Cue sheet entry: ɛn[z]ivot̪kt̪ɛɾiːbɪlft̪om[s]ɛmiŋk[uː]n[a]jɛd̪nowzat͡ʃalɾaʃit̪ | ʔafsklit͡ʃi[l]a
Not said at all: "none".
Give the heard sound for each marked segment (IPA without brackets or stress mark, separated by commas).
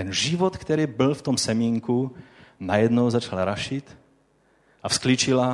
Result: ʒ, s, u, a, l